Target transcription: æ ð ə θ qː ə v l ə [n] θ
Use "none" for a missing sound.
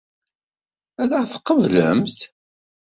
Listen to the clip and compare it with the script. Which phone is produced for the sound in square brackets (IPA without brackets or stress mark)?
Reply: m